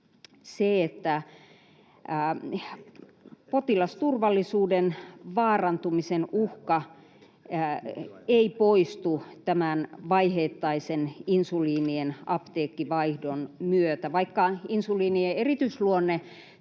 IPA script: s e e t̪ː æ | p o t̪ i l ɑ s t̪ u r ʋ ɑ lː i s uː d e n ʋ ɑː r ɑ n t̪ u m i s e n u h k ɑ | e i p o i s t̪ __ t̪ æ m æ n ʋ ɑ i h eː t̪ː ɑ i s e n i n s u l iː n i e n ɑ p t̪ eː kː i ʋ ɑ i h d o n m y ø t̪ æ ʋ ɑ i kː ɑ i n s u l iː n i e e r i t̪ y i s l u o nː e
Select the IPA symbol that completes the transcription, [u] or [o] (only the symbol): u